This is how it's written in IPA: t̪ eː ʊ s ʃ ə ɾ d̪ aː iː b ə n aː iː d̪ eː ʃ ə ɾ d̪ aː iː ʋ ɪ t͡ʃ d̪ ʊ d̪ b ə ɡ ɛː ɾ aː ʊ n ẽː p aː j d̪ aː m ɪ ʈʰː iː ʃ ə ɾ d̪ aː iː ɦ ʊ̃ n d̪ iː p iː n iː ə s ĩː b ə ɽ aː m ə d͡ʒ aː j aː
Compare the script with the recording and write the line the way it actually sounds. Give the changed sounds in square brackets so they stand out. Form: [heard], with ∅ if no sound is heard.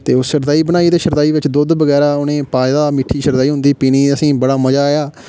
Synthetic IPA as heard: t̪ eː ʊ s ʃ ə ɾ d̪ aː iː b ə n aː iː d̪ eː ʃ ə ɾ d̪ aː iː ʋ ɪ t͡ʃ d̪ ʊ d̪ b ə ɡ ɛː ɾ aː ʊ n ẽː p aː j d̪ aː m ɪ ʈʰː iː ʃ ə ɾ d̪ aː iː ɦ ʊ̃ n d̪ iː p iː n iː ə s ĩː b ə ɽ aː m ə d͡ʒ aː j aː